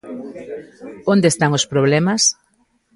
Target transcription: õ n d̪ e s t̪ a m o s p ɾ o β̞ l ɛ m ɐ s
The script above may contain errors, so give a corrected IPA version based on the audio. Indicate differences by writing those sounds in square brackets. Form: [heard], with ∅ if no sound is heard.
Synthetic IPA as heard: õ n d̪ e s t̪ a [ŋ] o s p ɾ o β̞ l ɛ m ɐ s